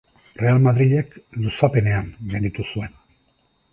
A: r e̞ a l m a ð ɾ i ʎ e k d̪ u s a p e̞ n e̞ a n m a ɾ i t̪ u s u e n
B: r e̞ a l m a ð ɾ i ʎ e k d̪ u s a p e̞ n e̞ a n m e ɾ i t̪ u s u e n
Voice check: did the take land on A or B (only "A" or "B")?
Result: B